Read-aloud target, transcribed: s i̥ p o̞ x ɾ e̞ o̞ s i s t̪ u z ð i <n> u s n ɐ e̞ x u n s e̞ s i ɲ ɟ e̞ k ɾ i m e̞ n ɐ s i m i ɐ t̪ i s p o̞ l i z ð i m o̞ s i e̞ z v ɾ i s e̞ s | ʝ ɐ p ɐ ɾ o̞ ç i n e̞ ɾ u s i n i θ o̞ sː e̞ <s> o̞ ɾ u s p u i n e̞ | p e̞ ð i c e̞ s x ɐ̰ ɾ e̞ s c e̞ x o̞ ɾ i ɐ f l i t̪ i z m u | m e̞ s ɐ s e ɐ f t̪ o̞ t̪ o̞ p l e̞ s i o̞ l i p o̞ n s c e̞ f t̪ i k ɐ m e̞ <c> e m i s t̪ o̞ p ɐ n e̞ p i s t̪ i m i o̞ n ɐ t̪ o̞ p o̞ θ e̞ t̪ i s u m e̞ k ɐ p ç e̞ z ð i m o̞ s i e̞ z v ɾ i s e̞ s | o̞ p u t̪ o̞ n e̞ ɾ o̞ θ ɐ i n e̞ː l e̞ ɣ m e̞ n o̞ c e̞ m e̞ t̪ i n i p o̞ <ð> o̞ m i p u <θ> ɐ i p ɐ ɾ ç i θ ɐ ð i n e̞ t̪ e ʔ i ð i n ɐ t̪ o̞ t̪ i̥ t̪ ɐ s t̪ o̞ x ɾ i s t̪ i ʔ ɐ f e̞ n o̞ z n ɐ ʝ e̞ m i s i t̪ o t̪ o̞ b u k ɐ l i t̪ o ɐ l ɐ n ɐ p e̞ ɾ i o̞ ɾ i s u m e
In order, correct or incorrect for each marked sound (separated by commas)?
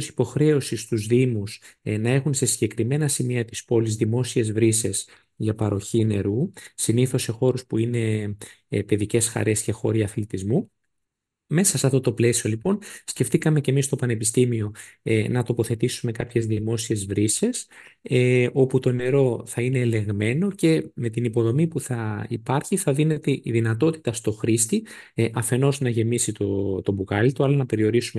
incorrect, incorrect, correct, correct, correct